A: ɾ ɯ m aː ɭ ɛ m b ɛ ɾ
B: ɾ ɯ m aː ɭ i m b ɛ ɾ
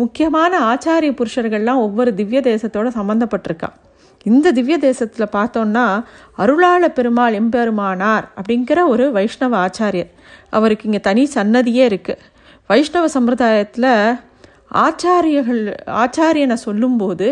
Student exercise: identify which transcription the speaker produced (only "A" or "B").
A